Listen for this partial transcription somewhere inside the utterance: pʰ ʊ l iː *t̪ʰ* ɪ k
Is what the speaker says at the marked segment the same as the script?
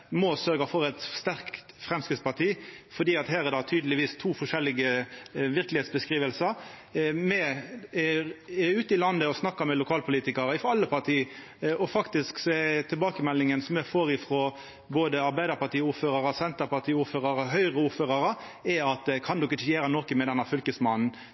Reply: no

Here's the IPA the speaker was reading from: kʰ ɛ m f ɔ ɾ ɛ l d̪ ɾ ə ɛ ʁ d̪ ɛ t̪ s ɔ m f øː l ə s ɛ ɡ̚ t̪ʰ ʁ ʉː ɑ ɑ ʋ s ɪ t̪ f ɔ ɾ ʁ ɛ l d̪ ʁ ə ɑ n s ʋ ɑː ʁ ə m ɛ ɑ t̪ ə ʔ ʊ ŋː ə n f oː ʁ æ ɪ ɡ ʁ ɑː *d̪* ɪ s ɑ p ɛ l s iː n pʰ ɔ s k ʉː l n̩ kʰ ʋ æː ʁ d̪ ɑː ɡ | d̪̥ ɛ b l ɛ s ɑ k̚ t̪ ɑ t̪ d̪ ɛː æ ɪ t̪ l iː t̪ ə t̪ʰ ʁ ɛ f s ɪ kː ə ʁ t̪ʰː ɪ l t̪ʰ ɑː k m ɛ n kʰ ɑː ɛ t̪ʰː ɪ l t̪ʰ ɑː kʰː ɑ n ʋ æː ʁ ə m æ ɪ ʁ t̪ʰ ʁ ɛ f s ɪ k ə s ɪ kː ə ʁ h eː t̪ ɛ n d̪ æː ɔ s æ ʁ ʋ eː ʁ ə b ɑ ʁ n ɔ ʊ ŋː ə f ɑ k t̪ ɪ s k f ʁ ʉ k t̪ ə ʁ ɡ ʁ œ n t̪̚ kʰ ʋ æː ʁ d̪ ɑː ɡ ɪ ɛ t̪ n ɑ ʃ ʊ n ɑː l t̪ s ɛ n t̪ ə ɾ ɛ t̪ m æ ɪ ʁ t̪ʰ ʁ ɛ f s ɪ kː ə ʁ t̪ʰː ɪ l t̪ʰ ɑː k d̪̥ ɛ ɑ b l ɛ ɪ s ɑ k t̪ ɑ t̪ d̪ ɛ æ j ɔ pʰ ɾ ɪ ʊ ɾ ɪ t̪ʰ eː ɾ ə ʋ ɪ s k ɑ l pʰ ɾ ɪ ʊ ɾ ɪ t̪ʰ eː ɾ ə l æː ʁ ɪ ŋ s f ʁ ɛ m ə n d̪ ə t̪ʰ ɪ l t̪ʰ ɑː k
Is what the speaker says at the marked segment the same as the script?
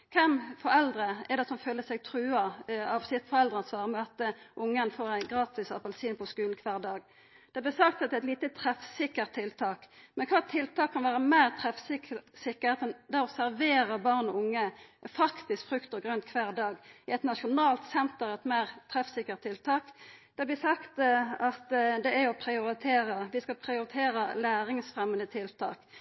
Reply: no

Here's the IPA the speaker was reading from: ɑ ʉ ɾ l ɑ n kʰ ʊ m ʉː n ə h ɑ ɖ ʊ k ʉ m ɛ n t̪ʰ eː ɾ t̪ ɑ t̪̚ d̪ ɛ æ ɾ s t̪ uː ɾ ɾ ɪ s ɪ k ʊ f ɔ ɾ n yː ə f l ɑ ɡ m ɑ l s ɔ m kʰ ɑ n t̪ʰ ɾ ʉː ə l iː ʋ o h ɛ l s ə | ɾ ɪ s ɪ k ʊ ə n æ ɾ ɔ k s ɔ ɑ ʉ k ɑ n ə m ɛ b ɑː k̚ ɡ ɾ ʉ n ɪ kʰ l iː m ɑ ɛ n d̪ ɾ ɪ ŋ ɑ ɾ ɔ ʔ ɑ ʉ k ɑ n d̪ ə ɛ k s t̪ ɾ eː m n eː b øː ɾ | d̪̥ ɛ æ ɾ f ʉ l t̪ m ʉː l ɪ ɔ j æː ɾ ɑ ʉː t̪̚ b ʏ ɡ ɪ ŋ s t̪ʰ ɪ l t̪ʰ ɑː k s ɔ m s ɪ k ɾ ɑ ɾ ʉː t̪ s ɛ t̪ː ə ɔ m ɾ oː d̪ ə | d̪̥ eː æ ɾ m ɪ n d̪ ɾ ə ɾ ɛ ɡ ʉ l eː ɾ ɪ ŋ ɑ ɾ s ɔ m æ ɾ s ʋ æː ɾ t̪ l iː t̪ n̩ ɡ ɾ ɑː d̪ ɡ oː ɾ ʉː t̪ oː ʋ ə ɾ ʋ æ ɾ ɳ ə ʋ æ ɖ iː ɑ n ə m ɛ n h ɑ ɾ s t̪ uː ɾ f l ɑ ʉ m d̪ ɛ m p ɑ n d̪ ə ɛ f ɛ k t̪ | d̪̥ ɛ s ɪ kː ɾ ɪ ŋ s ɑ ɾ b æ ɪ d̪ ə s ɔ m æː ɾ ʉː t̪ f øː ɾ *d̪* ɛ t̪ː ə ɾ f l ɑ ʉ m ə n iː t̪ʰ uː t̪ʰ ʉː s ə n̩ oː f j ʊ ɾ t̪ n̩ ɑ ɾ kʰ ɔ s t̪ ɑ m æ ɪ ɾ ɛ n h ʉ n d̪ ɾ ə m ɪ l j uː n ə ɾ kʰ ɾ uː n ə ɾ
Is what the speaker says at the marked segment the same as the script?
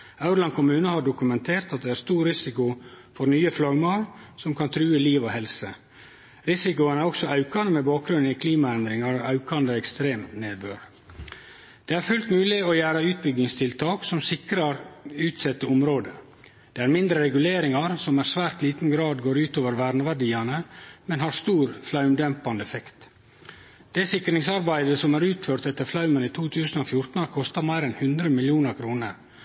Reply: no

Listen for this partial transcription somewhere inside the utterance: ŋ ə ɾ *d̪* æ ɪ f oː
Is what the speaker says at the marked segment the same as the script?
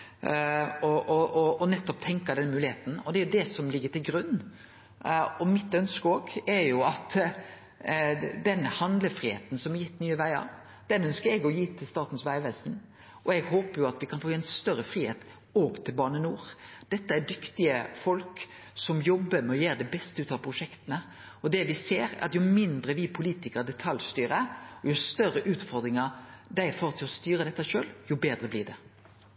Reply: yes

